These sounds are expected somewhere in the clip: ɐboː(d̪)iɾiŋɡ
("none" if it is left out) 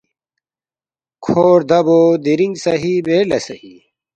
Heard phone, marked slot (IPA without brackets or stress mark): d̪